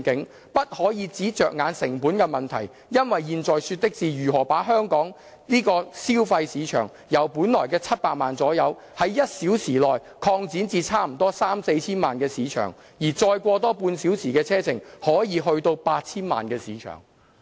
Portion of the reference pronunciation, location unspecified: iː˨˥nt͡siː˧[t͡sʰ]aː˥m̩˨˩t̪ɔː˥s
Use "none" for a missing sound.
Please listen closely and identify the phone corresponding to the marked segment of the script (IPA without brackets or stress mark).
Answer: t͡sʰ